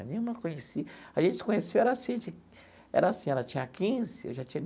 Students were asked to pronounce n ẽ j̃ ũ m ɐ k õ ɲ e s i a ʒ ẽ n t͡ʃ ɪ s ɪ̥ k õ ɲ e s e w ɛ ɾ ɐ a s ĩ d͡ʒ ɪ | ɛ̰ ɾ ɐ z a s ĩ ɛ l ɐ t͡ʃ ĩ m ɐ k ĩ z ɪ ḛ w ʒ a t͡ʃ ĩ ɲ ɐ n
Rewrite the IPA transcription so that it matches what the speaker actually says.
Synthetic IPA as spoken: n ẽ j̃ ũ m ɐ k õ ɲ e s i a ʒ ẽ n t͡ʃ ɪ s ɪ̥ k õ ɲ e s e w ɛ ɾ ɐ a s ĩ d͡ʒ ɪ | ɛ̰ ɾ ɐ a s ĩ ɛ l ɐ t͡ʃ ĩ ɲ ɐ k ĩ z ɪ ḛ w ʒ a t͡ʃ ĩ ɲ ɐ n